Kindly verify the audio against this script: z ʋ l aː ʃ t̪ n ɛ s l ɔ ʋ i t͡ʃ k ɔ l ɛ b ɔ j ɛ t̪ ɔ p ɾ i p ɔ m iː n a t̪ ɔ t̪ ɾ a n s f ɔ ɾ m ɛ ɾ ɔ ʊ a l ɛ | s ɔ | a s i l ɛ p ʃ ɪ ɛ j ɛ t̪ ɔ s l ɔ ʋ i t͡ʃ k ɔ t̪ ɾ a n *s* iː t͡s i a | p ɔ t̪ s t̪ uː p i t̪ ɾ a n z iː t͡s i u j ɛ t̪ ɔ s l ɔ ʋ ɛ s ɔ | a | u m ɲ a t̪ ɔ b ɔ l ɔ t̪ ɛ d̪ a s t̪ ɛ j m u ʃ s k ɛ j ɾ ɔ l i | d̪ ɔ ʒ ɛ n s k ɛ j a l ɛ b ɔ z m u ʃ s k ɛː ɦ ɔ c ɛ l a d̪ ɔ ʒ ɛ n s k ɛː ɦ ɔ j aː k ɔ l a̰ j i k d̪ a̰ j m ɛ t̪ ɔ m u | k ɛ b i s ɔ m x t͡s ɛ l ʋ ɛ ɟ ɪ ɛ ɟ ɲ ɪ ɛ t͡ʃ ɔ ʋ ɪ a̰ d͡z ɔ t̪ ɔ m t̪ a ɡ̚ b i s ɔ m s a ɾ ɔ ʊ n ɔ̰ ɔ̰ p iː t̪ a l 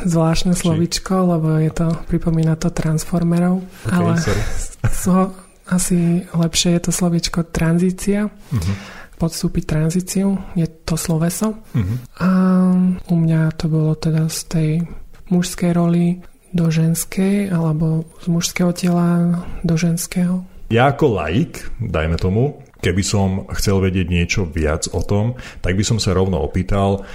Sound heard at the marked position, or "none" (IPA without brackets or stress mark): z